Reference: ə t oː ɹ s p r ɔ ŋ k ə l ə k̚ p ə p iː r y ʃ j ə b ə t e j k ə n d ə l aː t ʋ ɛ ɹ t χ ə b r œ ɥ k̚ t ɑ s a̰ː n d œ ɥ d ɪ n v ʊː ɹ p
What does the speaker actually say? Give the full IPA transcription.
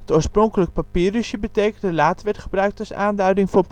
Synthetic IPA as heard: ə t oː ɹ s p r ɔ ŋ k ə l ə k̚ p a p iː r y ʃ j ə b ə t e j k ə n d ə l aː t ʋ ɛ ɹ t χ ə b r œ ɥ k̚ t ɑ s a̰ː n d œ ɥ d ɪ ŋ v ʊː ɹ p